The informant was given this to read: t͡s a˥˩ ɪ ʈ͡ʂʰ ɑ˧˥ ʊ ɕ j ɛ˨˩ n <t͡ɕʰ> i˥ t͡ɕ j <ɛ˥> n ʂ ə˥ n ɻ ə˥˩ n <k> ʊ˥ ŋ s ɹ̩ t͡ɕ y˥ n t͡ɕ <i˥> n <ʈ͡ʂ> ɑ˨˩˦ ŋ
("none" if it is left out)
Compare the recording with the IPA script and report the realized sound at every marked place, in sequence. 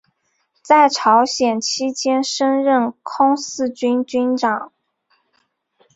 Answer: t͡ɕʰ, ɛ˥, kʰ, y˥, ʈ͡ʂ

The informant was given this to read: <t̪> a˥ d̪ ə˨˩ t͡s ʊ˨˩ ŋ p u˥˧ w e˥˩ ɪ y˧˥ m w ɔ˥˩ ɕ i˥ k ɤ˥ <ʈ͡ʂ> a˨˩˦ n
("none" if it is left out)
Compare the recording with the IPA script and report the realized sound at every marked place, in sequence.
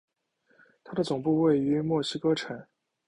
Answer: t̪ʰ, ʈ͡ʂʰ

